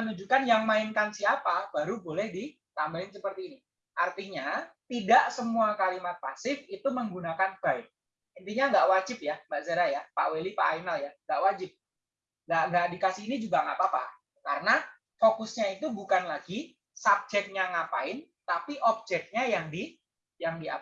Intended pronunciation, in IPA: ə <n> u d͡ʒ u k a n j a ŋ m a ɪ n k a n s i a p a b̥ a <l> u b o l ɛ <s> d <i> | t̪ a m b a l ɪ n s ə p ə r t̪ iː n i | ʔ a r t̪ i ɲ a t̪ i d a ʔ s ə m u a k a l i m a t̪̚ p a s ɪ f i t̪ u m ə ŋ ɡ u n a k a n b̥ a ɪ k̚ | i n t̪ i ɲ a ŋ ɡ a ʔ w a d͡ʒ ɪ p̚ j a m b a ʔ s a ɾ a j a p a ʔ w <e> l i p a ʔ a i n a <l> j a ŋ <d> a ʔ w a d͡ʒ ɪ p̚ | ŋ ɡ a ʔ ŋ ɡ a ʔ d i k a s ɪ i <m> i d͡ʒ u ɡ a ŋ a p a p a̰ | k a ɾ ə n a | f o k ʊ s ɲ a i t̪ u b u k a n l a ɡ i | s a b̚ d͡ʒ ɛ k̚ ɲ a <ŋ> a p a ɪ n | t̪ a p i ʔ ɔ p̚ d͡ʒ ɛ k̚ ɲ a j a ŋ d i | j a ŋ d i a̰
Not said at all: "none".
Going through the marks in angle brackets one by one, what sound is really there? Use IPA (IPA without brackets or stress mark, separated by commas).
n, ɾ, h, i, e, l, ɡ, n, ŋ